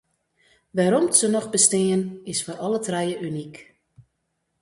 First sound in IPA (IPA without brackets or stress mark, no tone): ʋ